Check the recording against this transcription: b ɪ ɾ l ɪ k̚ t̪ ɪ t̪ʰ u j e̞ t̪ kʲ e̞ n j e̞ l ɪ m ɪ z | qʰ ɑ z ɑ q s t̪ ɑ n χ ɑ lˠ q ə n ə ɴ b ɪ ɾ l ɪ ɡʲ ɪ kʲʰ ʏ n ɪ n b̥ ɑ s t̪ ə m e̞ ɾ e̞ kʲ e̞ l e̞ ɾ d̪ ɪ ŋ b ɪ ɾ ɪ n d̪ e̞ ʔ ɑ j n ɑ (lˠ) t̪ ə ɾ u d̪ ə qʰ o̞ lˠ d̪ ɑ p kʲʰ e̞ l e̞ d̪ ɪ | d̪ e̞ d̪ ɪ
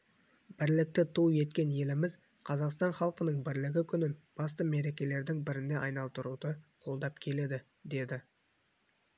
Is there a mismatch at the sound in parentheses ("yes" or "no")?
no